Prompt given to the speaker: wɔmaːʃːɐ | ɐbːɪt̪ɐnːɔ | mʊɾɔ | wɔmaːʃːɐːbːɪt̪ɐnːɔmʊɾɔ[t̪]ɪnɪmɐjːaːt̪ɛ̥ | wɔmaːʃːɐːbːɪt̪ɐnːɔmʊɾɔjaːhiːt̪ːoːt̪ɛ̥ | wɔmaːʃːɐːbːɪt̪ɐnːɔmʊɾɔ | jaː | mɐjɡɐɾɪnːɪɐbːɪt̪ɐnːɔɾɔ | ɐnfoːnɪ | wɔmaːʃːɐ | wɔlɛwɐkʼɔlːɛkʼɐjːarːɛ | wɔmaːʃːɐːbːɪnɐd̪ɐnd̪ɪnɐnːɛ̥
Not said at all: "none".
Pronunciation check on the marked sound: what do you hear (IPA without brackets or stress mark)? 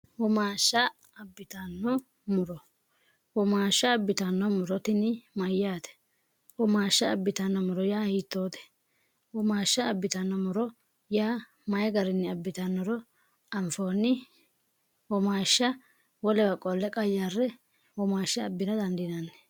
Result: t̪